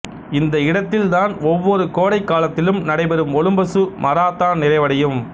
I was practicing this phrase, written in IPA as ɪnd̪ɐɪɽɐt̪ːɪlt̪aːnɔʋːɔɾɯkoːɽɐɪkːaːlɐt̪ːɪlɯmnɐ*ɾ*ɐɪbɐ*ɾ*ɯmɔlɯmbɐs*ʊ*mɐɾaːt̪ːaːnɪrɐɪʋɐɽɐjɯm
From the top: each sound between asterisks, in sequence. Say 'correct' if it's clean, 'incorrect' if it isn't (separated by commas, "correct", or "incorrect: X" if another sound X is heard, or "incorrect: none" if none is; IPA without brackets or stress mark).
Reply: incorrect: ɽ, correct, incorrect: ɯ